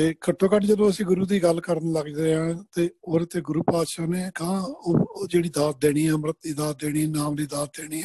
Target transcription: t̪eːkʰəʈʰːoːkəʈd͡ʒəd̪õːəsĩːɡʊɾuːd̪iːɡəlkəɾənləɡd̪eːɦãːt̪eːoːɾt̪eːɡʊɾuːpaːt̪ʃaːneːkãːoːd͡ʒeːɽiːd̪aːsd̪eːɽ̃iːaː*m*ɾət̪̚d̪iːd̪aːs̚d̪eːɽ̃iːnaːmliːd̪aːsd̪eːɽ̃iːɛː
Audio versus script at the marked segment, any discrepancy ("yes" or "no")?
no